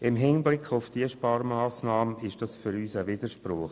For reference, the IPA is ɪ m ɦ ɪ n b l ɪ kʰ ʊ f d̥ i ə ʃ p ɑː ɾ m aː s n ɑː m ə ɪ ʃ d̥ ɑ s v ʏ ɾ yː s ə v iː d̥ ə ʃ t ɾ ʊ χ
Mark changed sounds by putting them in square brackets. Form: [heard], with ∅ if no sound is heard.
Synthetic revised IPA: ɪ m ɦ ɪ n b l ɪ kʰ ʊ f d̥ i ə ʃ p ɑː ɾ m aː s n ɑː m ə ɪ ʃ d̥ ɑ s [f] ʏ ɾ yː s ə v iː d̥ ə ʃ [p] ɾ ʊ χ